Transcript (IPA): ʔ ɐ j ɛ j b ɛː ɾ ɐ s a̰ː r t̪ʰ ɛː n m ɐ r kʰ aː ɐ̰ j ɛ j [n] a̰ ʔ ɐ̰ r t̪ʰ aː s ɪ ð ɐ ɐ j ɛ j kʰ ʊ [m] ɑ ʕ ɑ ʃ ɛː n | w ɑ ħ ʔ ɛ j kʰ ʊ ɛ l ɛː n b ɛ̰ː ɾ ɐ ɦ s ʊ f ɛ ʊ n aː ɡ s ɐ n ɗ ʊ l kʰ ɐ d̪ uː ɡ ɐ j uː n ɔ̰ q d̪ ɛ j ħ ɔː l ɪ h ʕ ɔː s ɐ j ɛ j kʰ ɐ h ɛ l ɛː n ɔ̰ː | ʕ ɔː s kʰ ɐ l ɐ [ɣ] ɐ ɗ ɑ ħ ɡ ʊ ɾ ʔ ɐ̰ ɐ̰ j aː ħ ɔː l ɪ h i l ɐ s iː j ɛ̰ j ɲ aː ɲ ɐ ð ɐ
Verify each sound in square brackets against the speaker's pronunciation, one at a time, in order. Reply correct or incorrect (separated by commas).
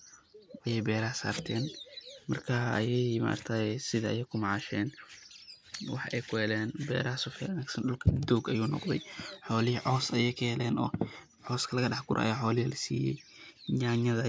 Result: incorrect, correct, correct